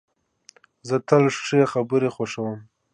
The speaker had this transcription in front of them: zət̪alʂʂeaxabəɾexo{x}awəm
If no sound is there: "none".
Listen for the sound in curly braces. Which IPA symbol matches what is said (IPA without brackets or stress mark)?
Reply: ʂ